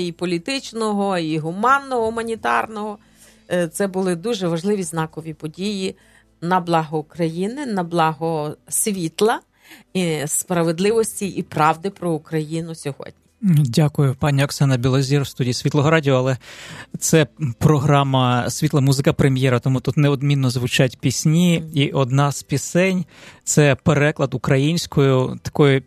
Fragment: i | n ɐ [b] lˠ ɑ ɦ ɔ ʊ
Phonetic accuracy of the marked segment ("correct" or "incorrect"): correct